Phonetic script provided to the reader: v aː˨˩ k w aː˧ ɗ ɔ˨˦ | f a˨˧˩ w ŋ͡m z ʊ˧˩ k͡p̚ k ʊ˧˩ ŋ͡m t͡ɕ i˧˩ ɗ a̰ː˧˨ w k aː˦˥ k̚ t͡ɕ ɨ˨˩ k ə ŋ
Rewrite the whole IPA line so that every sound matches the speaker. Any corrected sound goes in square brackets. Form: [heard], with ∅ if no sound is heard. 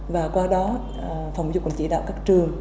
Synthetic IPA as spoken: v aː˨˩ k w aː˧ ɗ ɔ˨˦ | f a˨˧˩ w ŋ͡m z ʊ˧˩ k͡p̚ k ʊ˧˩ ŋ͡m t͡ɕ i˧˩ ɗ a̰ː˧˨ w k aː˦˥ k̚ t͡ɕ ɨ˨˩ [∅] ə ŋ